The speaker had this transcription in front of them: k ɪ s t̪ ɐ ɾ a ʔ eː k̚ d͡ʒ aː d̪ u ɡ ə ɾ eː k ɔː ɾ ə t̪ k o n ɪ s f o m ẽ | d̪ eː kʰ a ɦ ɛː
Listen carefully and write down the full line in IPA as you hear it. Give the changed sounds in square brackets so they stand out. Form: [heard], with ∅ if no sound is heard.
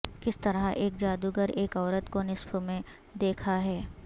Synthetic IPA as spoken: k ɪ s t̪ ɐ ɾ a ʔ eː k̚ d͡ʒ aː d̪ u ɡ ə ɾ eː k ɔː ɾ ə t̪ k o n ɪ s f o m ẽ | d̪ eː kʰ a ɦ ɛː